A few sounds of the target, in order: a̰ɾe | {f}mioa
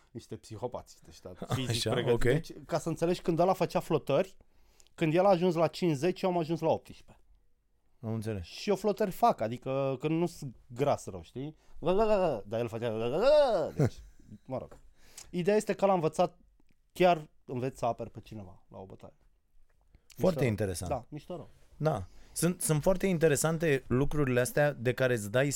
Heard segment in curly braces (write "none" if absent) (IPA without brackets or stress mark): f